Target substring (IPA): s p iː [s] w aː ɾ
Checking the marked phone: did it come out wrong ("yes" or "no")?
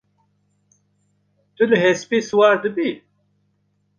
no